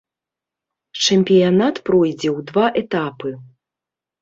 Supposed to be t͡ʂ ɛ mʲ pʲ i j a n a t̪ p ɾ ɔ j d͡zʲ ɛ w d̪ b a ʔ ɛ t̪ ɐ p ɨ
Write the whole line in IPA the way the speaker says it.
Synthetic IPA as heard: t͡ʂ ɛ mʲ pʲ i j a n a t̪ p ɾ ɔ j d͡zʲ ɛ w d̪ v a ʔ ɛ t̪ a p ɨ